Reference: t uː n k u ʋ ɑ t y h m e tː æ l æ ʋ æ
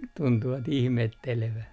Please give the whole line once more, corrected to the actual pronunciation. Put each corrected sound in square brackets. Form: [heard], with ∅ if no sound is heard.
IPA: t [u] n [t] u ʋ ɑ t [i] h m e tː [e] l [e] ʋ æ